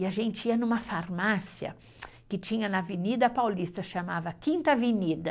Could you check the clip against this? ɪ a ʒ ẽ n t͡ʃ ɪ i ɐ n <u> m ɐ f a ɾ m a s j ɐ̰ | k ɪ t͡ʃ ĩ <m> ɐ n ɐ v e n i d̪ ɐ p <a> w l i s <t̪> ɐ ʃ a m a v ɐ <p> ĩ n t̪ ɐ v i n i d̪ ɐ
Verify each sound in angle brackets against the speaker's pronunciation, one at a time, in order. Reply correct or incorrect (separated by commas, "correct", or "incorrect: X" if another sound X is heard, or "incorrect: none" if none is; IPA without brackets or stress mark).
incorrect: ũ, incorrect: ɲ, correct, correct, incorrect: k